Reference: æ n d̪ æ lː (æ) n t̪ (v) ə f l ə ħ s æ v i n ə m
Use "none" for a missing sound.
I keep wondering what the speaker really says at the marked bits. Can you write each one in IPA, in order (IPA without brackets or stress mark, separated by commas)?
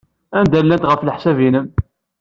æ, ʁ